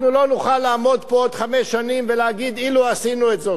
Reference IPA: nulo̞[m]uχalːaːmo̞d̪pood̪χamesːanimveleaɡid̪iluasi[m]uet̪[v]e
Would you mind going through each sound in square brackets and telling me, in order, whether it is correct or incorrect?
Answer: incorrect, incorrect, incorrect

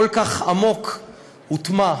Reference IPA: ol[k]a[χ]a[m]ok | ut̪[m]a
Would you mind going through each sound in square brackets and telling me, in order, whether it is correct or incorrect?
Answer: correct, correct, correct, correct

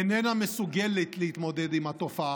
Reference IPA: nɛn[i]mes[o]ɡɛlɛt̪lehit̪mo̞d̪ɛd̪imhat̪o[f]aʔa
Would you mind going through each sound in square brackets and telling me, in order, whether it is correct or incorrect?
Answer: incorrect, incorrect, correct

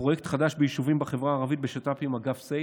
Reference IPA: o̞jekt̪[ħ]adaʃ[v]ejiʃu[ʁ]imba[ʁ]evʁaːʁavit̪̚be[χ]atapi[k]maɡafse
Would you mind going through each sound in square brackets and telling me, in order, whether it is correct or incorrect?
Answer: incorrect, incorrect, incorrect, incorrect, incorrect, incorrect

